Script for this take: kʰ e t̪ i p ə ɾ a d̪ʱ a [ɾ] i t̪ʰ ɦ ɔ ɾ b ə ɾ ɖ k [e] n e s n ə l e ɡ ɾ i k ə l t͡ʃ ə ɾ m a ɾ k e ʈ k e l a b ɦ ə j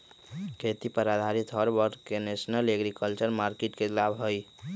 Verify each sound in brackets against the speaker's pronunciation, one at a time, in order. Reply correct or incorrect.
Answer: correct, correct

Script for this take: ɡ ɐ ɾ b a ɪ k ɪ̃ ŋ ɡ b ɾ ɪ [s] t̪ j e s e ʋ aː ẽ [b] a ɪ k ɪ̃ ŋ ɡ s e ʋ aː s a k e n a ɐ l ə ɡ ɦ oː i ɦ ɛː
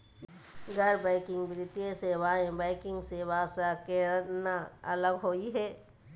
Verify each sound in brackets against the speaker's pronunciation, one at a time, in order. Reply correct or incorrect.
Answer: incorrect, correct

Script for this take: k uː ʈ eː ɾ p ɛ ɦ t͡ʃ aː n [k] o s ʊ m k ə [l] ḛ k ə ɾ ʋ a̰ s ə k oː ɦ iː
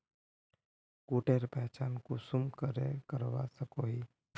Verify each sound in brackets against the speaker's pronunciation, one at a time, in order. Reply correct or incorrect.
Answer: correct, incorrect

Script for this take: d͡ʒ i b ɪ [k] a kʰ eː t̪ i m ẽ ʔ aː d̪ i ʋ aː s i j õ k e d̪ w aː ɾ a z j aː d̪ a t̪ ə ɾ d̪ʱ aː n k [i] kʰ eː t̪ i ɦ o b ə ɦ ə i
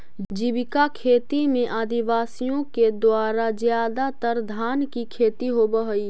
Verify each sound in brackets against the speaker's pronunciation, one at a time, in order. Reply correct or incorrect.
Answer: correct, correct

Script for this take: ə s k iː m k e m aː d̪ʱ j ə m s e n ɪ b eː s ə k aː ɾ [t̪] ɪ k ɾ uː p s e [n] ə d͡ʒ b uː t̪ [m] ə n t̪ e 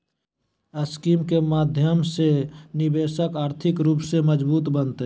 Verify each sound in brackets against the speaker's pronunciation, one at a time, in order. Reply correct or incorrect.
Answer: incorrect, incorrect, incorrect

